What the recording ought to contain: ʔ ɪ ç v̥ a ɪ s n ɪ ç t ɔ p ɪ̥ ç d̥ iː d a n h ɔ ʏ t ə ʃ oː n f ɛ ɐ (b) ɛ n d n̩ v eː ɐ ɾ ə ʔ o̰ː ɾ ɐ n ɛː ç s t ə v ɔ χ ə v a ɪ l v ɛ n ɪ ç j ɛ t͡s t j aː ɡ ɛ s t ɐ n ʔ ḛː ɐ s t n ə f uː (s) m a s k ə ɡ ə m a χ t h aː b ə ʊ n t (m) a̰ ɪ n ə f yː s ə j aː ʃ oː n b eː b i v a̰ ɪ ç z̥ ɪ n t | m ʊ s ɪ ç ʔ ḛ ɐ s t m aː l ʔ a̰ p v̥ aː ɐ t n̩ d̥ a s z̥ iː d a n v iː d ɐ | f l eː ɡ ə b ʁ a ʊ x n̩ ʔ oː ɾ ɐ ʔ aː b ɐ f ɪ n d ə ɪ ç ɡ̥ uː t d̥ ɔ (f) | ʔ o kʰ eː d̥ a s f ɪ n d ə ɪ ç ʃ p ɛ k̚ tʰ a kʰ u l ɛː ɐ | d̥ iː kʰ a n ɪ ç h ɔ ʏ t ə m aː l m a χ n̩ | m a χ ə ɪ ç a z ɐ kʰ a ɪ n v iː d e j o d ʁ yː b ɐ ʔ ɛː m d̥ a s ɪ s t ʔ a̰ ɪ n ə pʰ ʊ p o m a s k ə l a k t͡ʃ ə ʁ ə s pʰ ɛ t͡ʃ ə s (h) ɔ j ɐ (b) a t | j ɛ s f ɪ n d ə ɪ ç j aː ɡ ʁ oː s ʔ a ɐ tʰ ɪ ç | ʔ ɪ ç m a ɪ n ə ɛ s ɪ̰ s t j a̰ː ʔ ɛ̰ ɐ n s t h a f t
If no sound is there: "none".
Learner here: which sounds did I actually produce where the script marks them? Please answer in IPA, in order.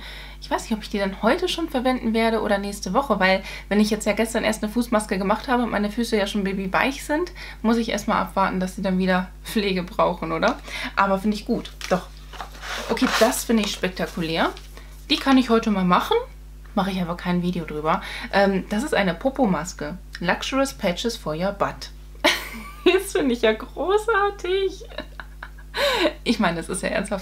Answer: v, s, m, χ, f, b

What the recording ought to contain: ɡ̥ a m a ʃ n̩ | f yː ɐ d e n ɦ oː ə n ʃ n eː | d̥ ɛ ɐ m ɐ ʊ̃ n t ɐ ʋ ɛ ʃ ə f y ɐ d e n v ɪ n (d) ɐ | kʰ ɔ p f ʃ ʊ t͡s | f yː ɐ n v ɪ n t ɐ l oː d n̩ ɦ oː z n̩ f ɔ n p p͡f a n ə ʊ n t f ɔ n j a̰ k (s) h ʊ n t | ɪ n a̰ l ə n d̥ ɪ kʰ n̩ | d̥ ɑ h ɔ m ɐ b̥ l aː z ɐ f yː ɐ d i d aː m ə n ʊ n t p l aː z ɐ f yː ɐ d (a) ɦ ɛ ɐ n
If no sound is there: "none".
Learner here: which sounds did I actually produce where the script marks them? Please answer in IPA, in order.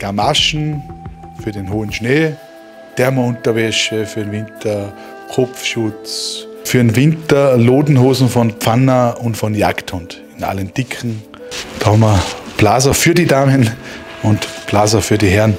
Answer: t, t, i

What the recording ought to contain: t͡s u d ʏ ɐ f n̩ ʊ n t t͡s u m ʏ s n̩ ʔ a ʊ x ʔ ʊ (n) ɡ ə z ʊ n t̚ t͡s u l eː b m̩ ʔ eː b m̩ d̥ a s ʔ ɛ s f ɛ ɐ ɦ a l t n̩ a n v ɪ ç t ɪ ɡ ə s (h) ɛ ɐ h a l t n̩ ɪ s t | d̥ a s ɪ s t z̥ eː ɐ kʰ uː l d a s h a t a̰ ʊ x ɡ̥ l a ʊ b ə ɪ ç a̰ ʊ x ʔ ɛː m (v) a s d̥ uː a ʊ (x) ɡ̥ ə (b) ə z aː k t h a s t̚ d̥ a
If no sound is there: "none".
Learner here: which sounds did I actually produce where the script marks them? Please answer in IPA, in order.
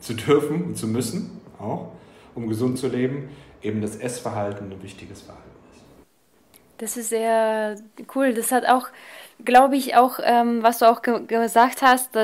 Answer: m, f, v, x, ɡ

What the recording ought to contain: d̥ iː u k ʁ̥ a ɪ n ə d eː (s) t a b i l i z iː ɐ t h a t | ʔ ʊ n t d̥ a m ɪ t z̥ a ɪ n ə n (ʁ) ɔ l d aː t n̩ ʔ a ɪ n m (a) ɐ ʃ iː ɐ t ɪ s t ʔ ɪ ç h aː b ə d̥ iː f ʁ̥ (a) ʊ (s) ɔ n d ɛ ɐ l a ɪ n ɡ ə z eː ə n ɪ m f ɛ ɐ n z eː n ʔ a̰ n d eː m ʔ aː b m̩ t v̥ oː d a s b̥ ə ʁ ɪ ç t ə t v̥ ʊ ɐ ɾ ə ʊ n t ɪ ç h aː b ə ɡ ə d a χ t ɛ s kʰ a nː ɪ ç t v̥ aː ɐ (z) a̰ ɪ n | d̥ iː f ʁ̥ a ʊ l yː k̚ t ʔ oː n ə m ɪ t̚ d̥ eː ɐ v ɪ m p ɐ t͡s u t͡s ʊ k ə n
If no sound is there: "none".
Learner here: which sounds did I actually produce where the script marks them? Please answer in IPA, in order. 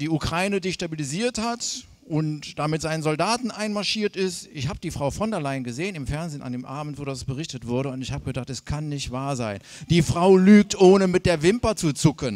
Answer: ʃ, z, a, a, f, z

